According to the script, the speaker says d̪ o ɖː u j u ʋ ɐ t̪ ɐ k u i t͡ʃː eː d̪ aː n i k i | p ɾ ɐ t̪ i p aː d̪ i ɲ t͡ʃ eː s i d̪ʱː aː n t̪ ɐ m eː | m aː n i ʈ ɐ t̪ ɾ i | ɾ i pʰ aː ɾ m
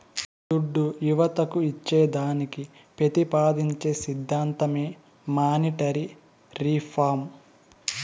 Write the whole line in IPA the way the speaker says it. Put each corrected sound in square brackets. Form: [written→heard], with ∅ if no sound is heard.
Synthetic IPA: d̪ [o→u] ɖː u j u ʋ ɐ t̪ ɐ k u i t͡ʃː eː d̪ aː n i k i | p ɾ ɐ t̪ i p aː d̪ i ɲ t͡ʃ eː s i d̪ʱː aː n t̪ ɐ m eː | m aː n i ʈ ɐ [t̪→∅] ɾ i | ɾ i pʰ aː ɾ m